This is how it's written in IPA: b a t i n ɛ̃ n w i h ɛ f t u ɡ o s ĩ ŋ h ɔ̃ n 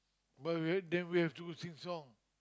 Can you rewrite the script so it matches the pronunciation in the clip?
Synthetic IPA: b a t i d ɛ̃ n w i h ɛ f t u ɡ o s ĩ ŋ s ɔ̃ ŋ